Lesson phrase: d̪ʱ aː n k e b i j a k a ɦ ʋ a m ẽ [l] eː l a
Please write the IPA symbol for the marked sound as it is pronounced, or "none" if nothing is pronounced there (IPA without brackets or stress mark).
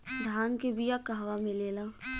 l